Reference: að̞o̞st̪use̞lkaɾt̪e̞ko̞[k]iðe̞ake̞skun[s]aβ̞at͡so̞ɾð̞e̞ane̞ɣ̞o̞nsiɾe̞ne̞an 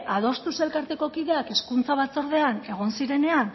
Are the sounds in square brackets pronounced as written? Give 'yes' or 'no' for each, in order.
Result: yes, no

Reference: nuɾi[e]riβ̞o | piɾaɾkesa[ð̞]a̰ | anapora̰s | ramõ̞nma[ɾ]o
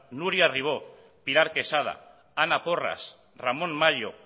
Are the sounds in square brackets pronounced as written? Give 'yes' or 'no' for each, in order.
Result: no, yes, no

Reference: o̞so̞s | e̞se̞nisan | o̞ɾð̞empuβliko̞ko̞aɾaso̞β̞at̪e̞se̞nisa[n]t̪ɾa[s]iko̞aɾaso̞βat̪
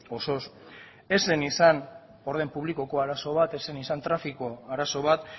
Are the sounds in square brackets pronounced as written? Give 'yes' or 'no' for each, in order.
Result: yes, no

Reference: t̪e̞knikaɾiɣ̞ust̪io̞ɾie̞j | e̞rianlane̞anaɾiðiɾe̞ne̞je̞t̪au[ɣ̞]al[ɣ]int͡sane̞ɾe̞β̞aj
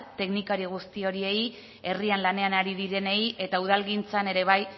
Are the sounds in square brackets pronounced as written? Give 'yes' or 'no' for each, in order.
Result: no, yes

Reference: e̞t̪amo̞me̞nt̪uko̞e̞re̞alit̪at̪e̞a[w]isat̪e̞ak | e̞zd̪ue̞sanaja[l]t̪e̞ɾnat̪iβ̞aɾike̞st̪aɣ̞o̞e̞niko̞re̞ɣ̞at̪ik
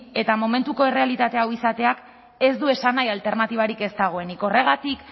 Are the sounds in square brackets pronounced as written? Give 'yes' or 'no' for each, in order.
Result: yes, yes

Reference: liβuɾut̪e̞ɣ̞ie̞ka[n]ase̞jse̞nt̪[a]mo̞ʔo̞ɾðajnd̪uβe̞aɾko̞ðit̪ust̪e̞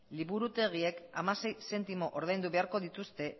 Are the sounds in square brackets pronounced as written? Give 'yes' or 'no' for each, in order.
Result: no, no

